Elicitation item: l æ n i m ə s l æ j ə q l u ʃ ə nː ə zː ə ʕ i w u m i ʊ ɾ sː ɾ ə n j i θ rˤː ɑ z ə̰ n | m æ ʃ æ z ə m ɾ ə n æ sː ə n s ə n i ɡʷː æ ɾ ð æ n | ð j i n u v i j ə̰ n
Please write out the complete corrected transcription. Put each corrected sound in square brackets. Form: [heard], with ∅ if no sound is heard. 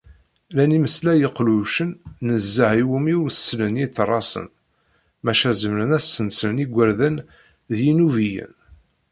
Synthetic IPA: l æ n i m ə s l æ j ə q l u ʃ ə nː ə zː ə ʕ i w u m i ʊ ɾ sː [l] ə n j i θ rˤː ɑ [s] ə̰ n | m æ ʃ æ z ə m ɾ ə n æ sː ə n s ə n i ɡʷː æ ɾ ð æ n | ð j i n u v i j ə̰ n